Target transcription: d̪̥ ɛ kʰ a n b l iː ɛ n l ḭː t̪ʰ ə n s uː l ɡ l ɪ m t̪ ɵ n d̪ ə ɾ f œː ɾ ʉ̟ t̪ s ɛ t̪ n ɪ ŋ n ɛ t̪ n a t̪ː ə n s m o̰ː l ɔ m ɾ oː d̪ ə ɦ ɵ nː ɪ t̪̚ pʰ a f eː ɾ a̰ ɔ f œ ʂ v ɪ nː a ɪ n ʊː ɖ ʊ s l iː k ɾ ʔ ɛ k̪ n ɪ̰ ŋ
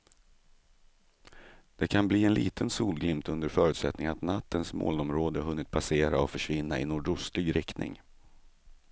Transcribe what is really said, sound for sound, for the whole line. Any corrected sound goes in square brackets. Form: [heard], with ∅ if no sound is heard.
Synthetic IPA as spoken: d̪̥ ɛ kʰ a n b l iː ɛ n l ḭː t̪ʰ ə n s uː l ɡ l ɪ m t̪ ɵ n d̪ ə ɾ f œː ɾ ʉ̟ t̪ s ɛ t̪ n ɪ ŋ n [a] t̪ n a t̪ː ə n s m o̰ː l ɔ m ɾ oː d̪ ə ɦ ɵ nː ɪ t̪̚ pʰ a [s] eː ɾ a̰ ɔ f œ ʂ v ɪ nː a ɪ n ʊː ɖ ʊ s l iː [ɡ] ɾ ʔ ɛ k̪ n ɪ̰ ŋ